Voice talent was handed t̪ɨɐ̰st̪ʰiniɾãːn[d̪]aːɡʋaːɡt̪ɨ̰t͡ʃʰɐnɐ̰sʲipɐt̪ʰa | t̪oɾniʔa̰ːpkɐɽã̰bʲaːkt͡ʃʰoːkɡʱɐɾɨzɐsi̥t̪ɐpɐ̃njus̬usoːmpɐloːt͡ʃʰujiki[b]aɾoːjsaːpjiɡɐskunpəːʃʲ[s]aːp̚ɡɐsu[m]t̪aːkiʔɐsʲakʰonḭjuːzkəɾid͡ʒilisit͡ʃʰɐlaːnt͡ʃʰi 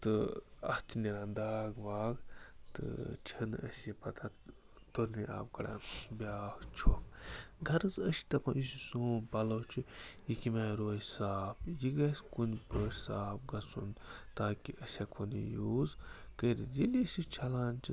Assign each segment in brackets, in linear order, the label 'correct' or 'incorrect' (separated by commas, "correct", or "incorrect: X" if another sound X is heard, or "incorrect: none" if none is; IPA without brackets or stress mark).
correct, incorrect: m, correct, incorrect: n